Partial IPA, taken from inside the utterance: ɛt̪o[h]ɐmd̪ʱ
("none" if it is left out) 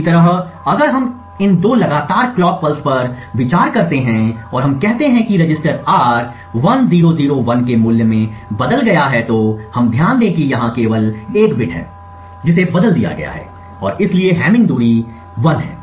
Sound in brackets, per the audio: h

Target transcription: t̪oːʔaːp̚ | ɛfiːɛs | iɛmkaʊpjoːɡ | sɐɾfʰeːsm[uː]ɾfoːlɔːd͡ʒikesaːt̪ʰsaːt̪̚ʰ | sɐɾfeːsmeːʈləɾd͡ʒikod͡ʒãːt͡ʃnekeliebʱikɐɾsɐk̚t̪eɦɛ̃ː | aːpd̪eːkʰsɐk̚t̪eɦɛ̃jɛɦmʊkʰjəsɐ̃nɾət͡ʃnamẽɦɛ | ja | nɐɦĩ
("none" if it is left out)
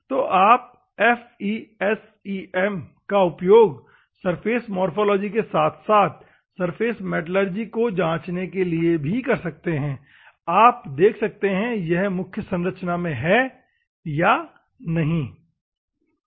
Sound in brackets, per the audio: ɔː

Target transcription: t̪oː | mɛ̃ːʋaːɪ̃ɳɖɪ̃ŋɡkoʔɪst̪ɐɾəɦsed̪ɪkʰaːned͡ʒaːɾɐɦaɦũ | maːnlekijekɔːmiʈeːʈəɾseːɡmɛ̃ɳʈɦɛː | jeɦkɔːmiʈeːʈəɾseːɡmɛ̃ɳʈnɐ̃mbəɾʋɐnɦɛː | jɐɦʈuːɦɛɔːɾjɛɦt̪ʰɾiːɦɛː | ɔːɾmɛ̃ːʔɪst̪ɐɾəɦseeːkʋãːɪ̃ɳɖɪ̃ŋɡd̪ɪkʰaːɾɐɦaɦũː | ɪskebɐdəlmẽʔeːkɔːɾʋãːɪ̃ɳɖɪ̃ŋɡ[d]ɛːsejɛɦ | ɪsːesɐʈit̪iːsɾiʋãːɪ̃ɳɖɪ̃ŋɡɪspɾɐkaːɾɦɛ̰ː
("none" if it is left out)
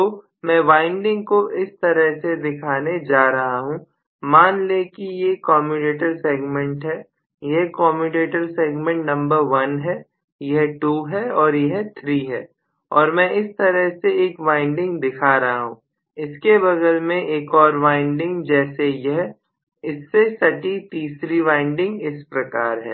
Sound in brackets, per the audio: d͡ʒ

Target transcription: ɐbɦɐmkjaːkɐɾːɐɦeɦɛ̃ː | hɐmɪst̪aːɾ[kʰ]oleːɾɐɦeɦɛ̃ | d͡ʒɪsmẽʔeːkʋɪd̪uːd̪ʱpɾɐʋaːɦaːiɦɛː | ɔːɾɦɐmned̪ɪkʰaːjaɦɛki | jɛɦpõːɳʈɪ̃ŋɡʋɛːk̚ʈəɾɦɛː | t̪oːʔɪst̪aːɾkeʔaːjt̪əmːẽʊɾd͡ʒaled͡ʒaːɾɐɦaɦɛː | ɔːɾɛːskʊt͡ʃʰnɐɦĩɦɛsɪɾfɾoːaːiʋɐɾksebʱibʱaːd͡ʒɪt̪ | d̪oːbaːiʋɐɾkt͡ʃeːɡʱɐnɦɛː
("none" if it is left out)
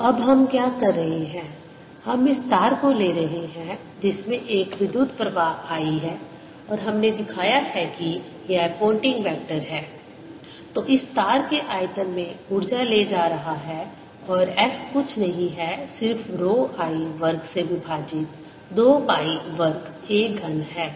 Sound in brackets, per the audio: k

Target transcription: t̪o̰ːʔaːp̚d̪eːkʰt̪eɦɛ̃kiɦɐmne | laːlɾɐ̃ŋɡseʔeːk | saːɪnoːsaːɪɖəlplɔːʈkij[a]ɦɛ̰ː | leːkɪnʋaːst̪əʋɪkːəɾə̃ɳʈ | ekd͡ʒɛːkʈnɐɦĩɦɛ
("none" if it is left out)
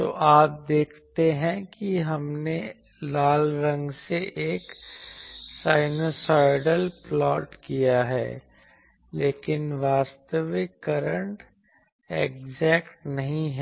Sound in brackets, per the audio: a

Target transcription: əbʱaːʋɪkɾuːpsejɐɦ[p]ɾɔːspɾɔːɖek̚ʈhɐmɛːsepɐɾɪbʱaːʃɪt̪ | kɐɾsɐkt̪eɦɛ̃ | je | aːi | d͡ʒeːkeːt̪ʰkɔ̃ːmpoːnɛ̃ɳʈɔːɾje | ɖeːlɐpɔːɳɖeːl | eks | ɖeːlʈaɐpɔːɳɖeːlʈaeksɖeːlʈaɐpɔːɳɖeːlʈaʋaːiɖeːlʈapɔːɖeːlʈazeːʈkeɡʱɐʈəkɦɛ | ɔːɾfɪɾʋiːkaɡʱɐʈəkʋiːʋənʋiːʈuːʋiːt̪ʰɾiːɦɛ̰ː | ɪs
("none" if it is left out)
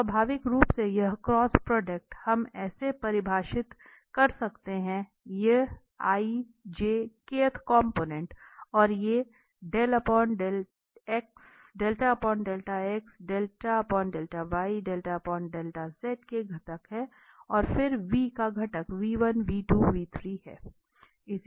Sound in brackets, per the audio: k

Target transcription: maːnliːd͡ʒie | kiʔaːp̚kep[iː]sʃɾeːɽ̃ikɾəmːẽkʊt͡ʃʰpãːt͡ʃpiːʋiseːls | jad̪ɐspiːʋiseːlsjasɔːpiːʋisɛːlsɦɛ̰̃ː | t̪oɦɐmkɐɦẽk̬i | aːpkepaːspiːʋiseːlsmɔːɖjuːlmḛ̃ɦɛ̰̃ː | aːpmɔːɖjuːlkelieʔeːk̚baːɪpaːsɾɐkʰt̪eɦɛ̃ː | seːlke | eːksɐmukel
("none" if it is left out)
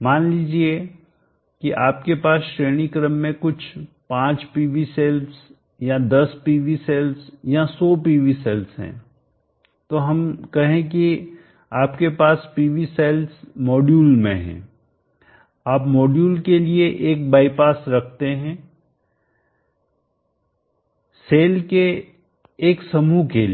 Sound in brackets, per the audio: aː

